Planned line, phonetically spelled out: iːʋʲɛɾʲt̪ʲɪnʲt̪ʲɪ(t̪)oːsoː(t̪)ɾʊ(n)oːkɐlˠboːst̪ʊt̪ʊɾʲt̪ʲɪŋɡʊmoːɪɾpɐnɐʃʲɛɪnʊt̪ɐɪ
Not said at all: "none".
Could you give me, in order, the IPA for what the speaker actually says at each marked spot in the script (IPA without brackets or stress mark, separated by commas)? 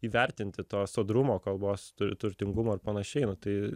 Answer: t̪, d̪, m